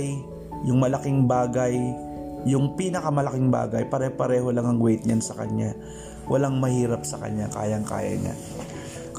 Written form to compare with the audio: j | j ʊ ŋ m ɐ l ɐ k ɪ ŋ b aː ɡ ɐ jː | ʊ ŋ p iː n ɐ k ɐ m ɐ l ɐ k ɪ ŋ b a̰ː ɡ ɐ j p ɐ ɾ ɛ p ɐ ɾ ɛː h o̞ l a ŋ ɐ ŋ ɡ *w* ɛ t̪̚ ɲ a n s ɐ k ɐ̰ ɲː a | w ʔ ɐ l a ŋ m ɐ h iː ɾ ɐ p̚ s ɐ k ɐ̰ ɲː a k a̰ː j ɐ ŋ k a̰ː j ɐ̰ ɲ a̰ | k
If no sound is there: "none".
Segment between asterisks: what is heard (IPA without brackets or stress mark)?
w